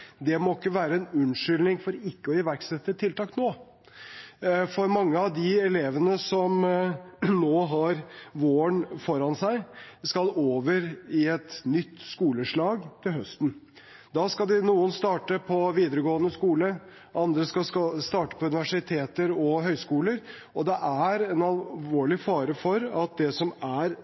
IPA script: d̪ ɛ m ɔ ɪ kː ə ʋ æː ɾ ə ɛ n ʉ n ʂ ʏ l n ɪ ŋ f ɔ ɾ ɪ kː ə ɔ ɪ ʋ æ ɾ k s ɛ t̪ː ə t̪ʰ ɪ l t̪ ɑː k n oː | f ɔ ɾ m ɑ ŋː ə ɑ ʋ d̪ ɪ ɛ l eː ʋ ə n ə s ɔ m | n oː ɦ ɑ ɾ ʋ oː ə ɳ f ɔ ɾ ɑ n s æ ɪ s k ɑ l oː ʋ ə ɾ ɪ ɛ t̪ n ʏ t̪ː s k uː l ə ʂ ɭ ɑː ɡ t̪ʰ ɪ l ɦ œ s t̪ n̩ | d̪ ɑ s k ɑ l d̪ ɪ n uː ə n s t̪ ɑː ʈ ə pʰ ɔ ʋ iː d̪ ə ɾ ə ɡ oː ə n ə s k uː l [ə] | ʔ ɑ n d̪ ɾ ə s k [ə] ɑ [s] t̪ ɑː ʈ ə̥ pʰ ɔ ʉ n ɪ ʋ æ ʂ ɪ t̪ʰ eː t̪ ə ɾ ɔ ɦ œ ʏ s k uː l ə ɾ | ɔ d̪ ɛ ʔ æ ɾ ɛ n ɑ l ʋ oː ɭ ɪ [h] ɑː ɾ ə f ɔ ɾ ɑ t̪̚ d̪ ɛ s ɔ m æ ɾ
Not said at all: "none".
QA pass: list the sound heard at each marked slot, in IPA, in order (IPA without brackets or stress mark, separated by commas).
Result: ə, ɑ, s, f